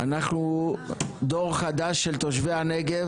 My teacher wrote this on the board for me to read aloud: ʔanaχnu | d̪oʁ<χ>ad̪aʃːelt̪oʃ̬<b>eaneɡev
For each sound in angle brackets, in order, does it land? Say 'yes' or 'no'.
yes, no

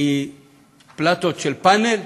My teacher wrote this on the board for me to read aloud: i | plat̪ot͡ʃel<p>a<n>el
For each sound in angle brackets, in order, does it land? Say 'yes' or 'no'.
yes, yes

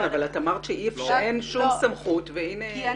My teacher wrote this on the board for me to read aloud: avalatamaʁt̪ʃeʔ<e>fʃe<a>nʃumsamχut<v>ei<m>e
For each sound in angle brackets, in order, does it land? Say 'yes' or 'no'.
no, no, yes, no

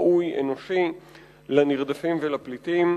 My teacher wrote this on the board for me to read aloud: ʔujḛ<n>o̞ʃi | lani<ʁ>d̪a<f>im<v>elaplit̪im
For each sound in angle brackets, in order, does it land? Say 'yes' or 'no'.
yes, yes, yes, yes

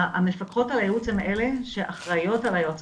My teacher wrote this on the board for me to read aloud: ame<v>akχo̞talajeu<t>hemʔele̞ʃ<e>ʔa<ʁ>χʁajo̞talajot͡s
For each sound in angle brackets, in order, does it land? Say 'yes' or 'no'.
no, no, yes, no

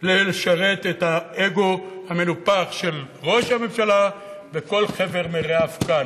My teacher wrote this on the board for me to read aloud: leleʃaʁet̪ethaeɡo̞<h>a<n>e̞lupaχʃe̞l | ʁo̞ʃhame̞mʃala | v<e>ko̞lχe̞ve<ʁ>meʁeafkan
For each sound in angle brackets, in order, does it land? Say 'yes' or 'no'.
yes, no, yes, yes

